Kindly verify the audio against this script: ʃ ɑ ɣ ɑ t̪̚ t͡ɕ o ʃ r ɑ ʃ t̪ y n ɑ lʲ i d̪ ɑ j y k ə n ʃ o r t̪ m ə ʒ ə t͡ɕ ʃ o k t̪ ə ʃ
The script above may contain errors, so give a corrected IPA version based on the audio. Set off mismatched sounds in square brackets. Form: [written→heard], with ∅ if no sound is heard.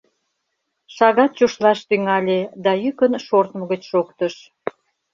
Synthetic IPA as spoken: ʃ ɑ ɣ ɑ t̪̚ t͡ɕ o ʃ [r→l] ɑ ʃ t̪ y [n→ŋ] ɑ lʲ [i→e] d̪ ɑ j y k ə n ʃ o r t̪ m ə [ʒ→ɣ] ə t͡ɕ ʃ o k t̪ ə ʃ